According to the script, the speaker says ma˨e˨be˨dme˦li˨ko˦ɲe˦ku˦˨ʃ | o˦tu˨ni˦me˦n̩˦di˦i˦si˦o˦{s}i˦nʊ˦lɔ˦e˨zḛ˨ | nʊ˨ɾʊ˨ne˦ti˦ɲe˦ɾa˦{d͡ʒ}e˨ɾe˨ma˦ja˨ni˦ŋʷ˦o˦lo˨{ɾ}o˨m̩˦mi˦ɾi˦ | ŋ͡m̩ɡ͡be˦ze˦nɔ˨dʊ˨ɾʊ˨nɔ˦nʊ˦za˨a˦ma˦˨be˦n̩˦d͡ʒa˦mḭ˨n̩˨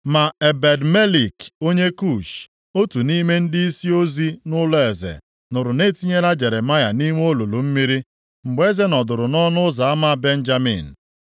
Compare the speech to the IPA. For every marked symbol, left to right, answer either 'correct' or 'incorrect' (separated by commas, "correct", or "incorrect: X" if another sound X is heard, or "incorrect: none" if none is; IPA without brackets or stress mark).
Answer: incorrect: z, correct, incorrect: l